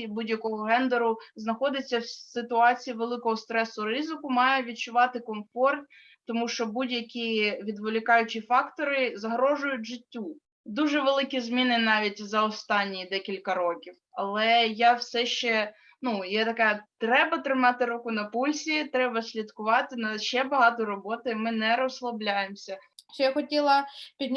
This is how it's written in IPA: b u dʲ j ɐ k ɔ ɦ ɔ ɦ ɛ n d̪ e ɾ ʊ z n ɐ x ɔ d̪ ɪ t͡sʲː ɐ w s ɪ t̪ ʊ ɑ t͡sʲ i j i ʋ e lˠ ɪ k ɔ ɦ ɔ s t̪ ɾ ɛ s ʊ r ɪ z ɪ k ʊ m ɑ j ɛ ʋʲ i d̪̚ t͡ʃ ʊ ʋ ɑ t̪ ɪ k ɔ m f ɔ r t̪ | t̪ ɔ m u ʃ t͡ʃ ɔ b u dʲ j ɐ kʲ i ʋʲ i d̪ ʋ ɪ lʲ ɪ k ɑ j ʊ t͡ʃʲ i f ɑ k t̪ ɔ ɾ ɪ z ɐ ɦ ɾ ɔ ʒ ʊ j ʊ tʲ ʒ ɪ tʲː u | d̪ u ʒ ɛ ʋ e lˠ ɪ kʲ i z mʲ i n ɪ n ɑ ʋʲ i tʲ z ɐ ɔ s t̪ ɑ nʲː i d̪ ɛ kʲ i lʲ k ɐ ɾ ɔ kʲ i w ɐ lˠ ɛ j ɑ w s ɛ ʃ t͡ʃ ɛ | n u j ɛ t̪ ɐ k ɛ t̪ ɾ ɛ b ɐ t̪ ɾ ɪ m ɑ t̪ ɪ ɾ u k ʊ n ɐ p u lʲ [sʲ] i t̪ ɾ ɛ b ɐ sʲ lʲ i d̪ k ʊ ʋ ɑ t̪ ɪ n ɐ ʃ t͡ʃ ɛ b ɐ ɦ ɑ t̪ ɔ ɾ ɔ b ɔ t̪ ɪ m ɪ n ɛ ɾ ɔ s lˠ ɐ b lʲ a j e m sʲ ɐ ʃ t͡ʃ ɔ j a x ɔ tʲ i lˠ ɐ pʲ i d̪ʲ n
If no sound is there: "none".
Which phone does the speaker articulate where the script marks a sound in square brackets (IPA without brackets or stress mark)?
sʲ